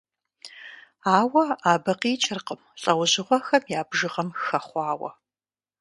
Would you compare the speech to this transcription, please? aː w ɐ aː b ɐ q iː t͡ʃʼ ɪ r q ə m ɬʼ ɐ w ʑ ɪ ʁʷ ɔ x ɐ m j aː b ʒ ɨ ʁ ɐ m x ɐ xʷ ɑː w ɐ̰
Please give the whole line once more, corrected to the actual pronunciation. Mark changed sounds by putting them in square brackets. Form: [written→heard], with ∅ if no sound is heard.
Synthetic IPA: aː w ɐ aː b ɐ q iː t͡ʃʼ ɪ r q ə m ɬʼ ɐ w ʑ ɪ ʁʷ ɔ x ɐ m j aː b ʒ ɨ ʁ ɐ m x ɐ [xʷ→χʷ] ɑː w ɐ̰